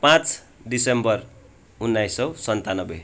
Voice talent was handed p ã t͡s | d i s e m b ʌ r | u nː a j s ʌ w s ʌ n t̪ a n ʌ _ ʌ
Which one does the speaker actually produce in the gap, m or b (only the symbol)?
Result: b